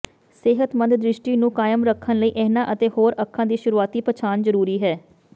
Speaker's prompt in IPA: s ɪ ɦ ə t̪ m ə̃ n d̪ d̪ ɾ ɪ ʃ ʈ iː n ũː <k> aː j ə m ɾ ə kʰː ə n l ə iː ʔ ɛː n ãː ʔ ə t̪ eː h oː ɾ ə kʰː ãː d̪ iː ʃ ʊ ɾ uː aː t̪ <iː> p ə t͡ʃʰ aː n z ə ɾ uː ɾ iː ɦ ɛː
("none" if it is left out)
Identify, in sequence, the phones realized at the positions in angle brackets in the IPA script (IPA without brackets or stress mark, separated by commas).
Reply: k, iː